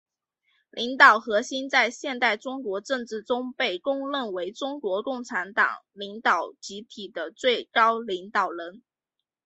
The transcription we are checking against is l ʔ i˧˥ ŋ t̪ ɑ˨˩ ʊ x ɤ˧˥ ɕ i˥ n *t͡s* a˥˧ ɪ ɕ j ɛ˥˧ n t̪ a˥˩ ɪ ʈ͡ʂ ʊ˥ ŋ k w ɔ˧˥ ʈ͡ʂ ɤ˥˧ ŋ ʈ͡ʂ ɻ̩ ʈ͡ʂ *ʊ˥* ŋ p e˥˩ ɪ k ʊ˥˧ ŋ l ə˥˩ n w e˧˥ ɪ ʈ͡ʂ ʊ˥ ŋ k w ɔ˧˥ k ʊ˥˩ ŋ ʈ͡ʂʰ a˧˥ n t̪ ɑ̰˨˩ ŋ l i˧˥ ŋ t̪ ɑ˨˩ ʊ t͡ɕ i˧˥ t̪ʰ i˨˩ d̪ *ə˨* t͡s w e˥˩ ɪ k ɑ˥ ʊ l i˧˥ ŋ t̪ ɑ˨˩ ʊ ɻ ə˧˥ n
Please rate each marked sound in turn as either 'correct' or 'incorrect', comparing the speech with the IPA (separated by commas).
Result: correct, correct, incorrect